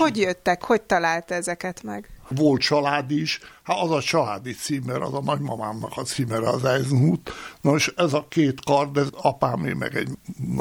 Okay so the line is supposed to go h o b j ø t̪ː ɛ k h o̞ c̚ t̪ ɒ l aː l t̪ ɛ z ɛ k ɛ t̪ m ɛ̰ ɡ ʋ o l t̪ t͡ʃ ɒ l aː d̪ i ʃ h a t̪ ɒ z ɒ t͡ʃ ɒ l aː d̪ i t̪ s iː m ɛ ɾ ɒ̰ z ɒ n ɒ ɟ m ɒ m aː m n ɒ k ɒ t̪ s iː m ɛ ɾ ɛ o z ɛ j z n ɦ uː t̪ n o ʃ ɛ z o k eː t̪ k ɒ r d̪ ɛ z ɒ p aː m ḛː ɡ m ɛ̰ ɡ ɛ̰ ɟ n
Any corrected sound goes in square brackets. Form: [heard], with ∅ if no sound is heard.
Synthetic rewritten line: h o [ɟ] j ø t̪ː ɛ k h o̞ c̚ t̪ ɒ l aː l t̪ ɛ z ɛ k ɛ t̪ m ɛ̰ ɡ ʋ o l t̪ t͡ʃ ɒ l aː d̪ i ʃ h a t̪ ɒ z ɒ t͡ʃ ɒ l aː d̪ i t̪ s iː m ɛ ɾ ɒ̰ z ɒ n ɒ ɟ m ɒ m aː m n ɒ k ɒ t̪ s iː m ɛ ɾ ɛ [ɒ] z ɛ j z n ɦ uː t̪ n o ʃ ɛ z [ɒ] k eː t̪ k ɒ r d̪ ɛ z ɒ p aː m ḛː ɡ m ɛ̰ ɡ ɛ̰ ɟ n